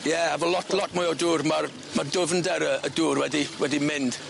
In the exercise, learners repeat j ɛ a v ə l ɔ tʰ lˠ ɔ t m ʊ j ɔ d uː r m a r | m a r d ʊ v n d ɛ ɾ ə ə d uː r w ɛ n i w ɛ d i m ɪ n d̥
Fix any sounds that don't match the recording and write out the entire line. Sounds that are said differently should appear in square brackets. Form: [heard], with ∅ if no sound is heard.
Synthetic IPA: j ɛ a v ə l ɔ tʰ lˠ ɔ t m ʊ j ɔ d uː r m a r | m a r d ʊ v n d ɛ ɾ ə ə d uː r w ɛ [d] i w ɛ d i m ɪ n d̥